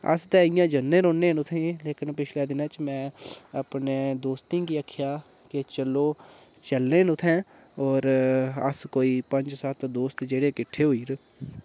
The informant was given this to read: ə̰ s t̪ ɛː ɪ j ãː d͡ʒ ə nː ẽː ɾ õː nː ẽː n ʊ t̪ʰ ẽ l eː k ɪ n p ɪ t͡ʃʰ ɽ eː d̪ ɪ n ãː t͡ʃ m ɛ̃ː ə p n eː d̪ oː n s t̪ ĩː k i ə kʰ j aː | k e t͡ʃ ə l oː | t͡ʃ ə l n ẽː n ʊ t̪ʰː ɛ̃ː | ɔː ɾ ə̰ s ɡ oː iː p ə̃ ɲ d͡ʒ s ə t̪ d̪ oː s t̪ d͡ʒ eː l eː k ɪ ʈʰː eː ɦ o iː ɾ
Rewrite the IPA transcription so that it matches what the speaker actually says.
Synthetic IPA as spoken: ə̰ s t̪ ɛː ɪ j ãː d͡ʒ ə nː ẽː ɾ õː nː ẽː n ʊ t̪ʰ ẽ l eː k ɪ n p ɪ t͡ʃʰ l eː d̪ ɪ n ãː t͡ʃ m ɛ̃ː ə p n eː d̪ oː s t̪ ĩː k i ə kʰ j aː | k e t͡ʃ ə l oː | t͡ʃ ə l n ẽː n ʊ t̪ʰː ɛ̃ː | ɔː ɾ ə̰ s k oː iː p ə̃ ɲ d͡ʒ s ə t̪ d̪ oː s t̪ d͡ʒ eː ɽ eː k ɪ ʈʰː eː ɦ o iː ɾ

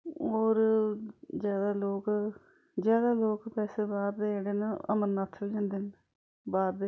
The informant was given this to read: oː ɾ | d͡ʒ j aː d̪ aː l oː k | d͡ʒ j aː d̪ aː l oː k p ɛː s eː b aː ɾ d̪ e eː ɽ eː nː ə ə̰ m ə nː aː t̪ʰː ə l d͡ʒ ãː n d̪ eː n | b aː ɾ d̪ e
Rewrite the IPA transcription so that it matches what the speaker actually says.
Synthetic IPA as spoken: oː ɾ | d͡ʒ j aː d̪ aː l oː k | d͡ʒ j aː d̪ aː l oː k p ɛː s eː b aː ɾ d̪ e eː ɽ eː n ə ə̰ m ə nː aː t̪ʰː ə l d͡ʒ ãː n d̪ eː n | b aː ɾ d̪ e

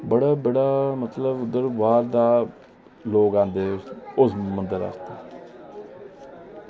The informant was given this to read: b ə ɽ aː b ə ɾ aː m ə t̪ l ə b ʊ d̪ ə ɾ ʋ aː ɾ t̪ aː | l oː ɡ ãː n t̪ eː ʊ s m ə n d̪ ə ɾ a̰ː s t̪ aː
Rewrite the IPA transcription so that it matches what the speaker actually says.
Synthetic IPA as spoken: b ə ɽ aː b ə ɽ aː m ə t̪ l ə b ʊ d̪ ə ɾ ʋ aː ɾ d̪ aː | l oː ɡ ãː n d̪ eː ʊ s m ə n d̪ ə ɾ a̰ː s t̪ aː

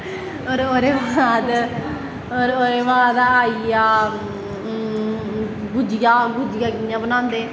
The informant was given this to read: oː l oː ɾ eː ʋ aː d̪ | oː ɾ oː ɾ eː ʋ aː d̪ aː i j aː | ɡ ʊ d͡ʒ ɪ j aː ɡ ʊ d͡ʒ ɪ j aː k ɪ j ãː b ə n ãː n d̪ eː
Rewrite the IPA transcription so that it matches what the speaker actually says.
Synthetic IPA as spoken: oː ɾ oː ɾ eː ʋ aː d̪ | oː ɾ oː ɾ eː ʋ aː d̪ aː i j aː | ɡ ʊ d͡ʒ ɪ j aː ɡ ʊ d͡ʒ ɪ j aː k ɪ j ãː b ə n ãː n d̪ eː

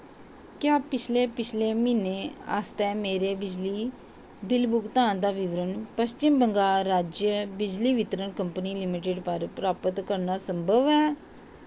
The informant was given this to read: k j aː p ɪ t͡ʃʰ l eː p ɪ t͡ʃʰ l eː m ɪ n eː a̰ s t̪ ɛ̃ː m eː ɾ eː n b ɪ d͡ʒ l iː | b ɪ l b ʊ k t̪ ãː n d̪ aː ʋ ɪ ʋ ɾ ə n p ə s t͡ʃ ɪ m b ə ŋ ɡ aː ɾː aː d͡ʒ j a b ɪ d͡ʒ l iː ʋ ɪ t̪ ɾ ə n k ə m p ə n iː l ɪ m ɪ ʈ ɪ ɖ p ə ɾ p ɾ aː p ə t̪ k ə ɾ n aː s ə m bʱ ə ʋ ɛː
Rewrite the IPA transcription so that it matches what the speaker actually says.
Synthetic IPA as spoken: k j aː p ɪ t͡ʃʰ l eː p ɪ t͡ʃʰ l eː m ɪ n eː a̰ s t̪ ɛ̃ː m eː ɾ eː b ɪ d͡ʒ l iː | b ɪ l b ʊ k t̪ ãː n d̪ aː ʋ ɪ ʋ ɾ ə n p ə s t͡ʃ ɪ m b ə ŋ ɡ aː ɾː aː d͡ʒ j ə b ɪ d͡ʒ l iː ʋ ɪ t̪ ɾ ə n k ə m p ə n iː l ɪ m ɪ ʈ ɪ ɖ p ə ɾ p ɾ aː p ə t̪ k ə ɾ n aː s ə m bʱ ə ʋ ɛː

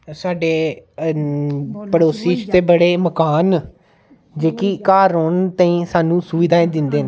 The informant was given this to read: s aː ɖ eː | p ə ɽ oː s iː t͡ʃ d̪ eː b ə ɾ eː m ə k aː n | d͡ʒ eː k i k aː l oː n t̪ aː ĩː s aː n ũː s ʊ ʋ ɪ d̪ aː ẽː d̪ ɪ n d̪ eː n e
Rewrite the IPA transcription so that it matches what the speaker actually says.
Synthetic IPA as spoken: s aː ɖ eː | p ə ɽ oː s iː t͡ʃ t̪ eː b ə ɽ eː m ə k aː n | d͡ʒ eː k i k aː ɾ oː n t̪ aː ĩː s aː n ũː s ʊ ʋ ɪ d̪ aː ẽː d̪ ɪ n d̪ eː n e

